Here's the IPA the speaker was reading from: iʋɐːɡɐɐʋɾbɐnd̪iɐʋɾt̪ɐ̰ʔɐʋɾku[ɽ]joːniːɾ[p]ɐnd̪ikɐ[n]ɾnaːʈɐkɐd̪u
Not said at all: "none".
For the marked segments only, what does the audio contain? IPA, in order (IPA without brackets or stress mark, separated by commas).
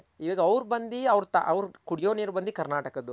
ɽ, b, none